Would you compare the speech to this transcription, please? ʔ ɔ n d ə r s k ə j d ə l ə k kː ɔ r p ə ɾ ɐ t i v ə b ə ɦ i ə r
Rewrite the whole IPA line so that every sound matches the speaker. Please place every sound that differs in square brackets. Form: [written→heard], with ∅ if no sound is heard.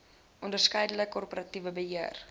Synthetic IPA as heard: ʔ ɔ n d ə r s k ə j d ə l ə k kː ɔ r p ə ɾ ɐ t i v ə b ə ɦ i ə r